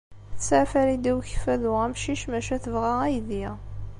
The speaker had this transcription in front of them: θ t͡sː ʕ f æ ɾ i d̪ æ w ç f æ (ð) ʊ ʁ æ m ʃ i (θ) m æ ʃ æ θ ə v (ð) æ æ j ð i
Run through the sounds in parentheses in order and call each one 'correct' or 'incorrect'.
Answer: correct, incorrect, incorrect

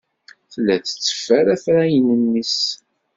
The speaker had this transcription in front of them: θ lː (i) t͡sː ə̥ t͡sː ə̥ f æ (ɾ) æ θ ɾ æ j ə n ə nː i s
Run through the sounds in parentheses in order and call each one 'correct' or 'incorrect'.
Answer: incorrect, correct

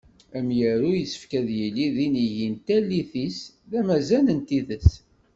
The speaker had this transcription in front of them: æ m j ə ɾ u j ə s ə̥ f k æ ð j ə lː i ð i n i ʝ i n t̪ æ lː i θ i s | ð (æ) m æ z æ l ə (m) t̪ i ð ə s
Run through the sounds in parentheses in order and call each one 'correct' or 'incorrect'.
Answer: correct, incorrect

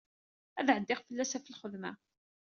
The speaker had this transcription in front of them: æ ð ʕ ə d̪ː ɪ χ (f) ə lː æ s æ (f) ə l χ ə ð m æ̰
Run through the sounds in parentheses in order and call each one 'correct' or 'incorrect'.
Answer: correct, correct

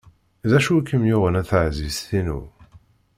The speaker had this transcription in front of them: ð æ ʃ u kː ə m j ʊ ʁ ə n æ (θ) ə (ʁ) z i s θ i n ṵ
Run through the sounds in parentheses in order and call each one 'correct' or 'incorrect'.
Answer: correct, incorrect

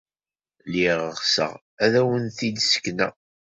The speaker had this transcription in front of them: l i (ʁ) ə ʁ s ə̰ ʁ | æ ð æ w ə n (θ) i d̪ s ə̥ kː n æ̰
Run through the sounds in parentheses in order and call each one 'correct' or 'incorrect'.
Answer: correct, correct

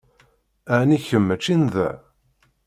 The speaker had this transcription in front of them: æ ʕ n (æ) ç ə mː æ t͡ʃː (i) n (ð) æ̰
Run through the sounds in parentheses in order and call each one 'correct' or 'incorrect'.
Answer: incorrect, correct, correct

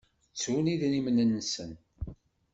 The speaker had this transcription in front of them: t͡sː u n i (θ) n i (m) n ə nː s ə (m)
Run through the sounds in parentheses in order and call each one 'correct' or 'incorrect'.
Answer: incorrect, correct, incorrect

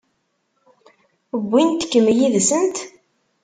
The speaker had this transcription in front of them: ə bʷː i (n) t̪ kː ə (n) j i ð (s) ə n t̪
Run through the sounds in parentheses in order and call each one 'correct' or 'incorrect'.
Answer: correct, incorrect, correct

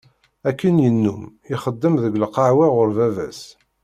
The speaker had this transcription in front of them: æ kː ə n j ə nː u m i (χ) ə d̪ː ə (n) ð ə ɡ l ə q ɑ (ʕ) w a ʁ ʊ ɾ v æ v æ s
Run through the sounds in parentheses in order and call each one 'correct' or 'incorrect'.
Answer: correct, incorrect, correct

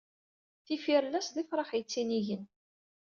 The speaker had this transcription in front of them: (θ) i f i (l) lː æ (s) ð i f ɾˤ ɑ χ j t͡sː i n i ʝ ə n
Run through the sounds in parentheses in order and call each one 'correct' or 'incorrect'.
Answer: correct, incorrect, correct

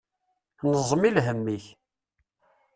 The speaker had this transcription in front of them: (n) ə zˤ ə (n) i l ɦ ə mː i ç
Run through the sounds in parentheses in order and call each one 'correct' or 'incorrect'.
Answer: correct, incorrect

